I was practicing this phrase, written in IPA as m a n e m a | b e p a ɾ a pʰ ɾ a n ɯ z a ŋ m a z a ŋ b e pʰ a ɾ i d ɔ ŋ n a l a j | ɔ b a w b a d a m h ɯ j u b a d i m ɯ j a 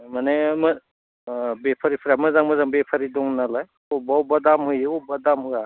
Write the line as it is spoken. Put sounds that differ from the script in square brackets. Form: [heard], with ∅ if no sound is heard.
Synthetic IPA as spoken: m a n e m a | b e [pʰ] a ɾ [i] pʰ ɾ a [m] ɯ z a ŋ m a z a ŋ b e pʰ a ɾ i d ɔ ŋ n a l a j | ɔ b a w b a d a m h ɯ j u b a d [a] m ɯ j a